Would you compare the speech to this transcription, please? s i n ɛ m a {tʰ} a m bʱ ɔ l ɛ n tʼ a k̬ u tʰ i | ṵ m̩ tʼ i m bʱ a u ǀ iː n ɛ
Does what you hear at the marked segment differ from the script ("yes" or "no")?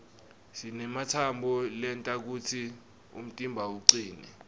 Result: no